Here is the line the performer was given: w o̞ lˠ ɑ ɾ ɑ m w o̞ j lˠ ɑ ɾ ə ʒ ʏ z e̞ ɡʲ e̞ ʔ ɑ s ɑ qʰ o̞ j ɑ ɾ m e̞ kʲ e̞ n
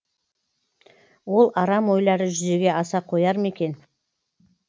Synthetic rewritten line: w o̞ lˠ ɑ ɾ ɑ m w o̞ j lˠ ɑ ɾ ə ʒ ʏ z e̞ ɡʲ e̞ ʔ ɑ s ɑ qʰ o̞ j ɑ ɾ m e̞ kʲ e̞ n